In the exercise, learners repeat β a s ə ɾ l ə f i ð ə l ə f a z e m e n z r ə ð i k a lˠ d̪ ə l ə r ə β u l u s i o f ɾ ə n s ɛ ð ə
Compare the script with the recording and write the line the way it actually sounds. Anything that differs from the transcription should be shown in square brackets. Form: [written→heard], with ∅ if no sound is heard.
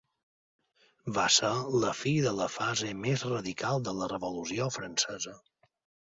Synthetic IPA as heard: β a s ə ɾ l ə f i ð ə l ə f a z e m e [n→∅] z r ə ð i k a lˠ d̪ ə l ə r ə β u l u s i o f ɾ ə n s ɛ [ð→z] ə